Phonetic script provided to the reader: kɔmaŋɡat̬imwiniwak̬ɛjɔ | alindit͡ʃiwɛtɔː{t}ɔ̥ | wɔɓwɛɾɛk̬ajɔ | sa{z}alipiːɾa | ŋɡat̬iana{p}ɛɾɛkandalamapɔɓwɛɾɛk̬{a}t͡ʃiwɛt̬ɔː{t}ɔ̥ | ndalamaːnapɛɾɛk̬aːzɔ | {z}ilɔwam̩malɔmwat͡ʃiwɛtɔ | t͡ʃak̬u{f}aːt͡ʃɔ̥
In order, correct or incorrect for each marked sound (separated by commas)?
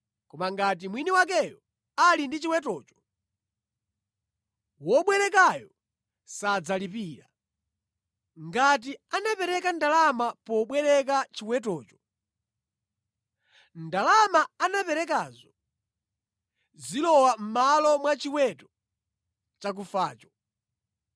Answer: incorrect, incorrect, correct, correct, incorrect, correct, correct